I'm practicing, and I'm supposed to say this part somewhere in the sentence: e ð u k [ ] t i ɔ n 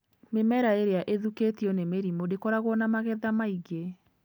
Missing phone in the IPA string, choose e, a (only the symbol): e